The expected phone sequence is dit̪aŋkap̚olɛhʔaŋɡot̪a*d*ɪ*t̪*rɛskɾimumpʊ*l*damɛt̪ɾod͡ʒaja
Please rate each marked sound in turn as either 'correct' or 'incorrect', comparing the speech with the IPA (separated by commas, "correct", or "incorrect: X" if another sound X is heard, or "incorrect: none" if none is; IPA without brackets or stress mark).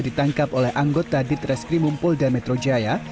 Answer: correct, correct, correct